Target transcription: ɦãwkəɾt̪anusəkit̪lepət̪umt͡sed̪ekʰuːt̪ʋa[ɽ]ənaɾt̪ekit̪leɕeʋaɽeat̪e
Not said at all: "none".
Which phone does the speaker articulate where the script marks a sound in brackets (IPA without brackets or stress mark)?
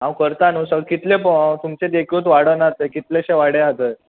ɽ